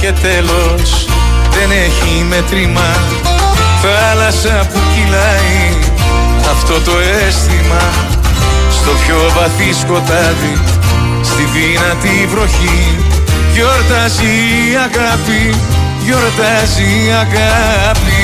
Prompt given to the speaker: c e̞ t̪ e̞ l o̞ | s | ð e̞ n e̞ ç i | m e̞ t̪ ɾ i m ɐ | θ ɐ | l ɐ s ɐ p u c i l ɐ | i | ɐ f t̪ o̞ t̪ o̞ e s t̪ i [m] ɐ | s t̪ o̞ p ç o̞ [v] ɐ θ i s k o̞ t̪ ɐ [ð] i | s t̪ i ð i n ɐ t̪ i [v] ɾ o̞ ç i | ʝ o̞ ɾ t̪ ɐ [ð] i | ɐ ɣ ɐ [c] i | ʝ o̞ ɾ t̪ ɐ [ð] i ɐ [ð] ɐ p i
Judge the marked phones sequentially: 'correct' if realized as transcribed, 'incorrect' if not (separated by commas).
correct, correct, correct, correct, incorrect, incorrect, incorrect, incorrect